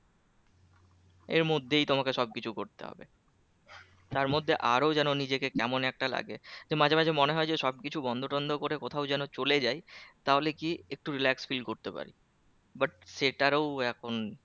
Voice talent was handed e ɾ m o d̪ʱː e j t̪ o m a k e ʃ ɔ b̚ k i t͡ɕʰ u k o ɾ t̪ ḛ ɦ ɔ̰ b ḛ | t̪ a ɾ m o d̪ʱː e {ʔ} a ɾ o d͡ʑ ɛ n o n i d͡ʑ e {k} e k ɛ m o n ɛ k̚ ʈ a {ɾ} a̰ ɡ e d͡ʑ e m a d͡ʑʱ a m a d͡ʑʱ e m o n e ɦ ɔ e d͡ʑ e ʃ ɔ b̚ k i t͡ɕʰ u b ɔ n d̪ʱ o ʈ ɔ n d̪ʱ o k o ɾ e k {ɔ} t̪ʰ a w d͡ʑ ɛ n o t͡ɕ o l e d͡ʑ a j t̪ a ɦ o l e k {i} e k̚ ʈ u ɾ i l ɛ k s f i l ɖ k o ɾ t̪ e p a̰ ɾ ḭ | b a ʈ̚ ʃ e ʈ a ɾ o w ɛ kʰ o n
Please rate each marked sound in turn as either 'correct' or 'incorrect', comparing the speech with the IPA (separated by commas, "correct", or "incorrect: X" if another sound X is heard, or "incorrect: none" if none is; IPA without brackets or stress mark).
correct, correct, incorrect: l, incorrect: o, correct